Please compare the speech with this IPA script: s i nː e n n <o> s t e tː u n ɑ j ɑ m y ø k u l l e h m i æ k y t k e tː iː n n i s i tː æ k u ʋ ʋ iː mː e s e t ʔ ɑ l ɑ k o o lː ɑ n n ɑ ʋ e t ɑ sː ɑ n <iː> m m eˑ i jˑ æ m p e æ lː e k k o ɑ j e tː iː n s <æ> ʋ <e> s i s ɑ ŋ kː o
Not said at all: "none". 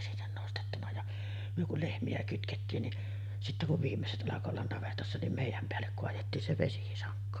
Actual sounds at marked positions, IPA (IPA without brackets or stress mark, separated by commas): o, i, e, e